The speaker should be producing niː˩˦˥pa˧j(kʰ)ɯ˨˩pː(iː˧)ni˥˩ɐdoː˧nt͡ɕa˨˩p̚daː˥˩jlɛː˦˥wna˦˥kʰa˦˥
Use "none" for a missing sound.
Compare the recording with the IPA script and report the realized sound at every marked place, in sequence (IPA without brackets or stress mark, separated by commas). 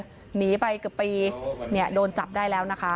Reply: k, iː˧